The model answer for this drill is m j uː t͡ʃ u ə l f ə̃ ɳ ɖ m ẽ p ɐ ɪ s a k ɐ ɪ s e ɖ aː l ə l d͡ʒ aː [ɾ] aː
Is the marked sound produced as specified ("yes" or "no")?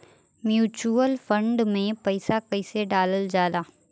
no